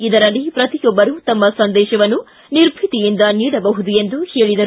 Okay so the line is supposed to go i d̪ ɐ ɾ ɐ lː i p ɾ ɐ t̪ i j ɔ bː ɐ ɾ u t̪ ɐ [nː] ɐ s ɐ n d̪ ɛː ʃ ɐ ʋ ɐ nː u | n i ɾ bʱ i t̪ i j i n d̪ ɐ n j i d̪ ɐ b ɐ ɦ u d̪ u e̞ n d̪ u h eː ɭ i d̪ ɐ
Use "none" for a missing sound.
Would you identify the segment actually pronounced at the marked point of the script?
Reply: mː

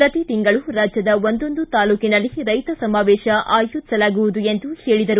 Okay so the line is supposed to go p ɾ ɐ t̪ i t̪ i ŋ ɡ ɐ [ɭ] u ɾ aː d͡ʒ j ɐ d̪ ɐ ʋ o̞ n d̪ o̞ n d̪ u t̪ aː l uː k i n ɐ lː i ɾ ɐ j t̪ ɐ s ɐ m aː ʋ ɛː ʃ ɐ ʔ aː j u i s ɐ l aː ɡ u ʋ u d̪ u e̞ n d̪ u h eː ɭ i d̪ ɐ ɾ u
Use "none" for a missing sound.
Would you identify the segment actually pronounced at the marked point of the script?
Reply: ɭ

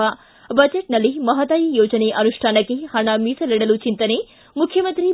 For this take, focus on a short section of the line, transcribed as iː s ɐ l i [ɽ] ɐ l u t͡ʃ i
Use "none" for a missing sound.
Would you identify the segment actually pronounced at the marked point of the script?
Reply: ɽ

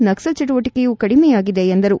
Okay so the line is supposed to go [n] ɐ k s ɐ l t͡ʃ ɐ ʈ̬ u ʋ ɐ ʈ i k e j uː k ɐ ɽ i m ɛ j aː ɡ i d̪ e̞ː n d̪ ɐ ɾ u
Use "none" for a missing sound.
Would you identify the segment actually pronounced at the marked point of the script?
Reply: n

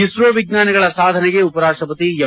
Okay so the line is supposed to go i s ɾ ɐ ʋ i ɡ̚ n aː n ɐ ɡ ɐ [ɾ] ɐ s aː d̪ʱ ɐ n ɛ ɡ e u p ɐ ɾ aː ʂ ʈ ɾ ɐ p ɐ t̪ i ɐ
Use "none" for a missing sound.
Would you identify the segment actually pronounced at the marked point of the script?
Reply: ɭ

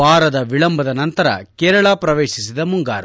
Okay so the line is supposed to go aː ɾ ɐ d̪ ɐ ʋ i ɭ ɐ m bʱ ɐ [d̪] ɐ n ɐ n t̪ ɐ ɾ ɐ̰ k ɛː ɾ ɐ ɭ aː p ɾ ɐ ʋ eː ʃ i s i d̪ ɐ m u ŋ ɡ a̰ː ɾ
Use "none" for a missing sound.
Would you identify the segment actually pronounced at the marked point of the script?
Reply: d̪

